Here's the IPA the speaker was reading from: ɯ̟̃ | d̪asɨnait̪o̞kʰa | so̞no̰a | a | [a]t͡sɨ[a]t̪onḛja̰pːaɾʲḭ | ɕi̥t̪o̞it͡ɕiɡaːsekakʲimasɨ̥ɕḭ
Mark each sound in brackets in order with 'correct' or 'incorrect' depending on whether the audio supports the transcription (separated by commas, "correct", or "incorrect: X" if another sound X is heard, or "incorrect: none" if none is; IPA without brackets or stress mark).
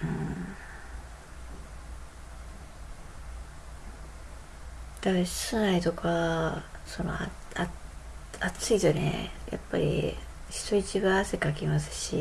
correct, incorrect: i